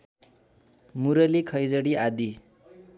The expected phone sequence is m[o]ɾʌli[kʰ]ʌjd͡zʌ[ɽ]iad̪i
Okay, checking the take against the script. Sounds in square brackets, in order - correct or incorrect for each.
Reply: incorrect: u, correct, correct

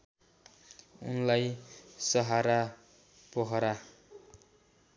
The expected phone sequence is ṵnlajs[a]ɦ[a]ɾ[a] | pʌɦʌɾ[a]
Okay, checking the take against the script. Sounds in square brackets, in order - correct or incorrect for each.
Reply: incorrect: ʌ, correct, correct, correct

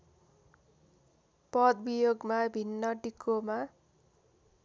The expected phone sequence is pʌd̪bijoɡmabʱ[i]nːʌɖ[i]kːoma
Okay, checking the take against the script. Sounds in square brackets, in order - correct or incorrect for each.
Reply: correct, correct

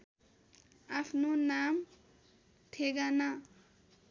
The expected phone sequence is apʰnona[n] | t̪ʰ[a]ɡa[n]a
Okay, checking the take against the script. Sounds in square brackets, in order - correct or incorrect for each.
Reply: incorrect: m, incorrect: e, correct

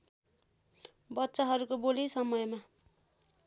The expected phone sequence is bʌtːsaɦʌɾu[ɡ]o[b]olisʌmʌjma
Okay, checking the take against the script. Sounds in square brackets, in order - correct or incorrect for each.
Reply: incorrect: k, correct

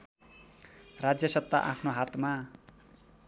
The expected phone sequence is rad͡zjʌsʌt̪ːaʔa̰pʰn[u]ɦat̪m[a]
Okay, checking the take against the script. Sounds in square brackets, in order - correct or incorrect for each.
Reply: incorrect: o, correct

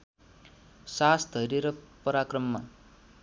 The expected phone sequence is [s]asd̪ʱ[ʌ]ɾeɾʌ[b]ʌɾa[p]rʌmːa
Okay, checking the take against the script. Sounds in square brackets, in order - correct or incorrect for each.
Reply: correct, correct, incorrect: p, incorrect: k

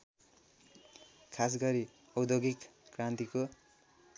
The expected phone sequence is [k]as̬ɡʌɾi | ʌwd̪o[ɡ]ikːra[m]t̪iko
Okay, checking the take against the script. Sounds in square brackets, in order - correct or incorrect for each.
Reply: incorrect: kʰ, correct, incorrect: n

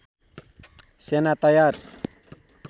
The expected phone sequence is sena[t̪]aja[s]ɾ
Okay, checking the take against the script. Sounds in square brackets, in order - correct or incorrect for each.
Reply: correct, incorrect: none

